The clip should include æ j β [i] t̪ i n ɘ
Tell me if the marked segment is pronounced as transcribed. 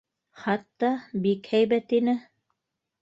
no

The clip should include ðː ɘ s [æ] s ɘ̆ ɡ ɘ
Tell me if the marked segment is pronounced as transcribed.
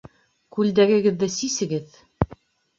no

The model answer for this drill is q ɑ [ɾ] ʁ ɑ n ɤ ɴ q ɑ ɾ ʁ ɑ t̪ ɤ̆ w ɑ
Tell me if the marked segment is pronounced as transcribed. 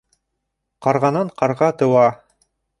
yes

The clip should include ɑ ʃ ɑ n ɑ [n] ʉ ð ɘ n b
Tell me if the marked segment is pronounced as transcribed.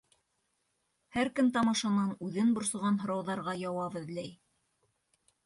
yes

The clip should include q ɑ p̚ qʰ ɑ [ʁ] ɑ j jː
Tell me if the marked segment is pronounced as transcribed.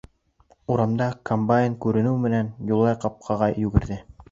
yes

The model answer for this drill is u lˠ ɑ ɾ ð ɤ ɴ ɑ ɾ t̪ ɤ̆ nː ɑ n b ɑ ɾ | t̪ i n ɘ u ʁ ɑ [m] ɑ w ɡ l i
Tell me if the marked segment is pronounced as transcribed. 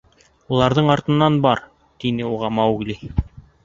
yes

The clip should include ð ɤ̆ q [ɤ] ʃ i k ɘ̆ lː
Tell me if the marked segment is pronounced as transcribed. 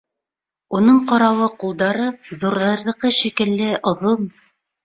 yes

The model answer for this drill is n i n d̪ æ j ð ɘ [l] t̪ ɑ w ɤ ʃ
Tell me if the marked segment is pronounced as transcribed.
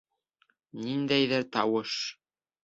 no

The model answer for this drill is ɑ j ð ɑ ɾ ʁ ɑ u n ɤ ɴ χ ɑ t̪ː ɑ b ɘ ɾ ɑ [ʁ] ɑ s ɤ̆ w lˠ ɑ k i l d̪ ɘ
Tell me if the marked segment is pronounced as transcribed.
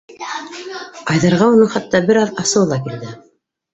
no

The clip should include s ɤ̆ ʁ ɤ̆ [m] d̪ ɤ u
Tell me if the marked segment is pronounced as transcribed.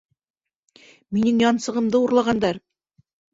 yes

